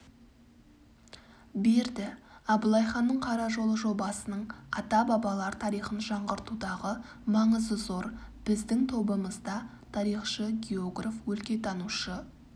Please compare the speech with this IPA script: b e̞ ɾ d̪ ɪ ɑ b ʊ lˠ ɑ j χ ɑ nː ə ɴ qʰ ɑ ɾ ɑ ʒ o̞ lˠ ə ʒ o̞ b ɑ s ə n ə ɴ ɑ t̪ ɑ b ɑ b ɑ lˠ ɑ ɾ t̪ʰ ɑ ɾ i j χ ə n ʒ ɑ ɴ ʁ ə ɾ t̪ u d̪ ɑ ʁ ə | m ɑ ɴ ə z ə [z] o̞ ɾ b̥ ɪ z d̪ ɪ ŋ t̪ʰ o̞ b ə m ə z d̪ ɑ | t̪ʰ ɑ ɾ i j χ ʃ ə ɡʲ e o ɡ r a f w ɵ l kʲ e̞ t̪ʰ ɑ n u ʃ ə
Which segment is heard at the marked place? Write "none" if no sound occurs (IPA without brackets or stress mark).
z